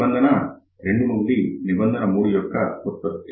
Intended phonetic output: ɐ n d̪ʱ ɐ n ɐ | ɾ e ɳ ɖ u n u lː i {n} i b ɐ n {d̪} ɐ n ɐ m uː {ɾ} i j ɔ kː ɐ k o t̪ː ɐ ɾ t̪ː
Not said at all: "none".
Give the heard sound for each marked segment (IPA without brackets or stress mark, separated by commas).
n, d̪, ɽ